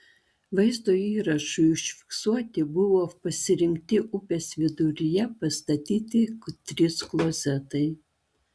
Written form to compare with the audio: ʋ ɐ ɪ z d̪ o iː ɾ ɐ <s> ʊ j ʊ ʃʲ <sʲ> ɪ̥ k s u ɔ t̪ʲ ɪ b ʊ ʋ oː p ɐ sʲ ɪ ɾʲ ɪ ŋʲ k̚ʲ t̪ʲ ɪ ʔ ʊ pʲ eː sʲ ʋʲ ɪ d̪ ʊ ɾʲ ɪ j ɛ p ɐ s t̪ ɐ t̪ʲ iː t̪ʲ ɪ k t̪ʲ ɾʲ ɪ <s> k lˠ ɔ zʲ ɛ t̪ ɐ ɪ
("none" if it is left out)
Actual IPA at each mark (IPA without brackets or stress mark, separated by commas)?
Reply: ʃ, fʲ, s